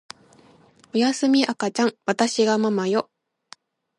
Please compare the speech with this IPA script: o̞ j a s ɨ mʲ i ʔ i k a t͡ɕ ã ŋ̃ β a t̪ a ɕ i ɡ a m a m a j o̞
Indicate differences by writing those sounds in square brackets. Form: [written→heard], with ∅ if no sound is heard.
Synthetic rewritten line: o̞ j a s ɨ mʲ i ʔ [i→a] k a t͡ɕ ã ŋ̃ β a t̪ a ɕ i ɡ a m a m a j o̞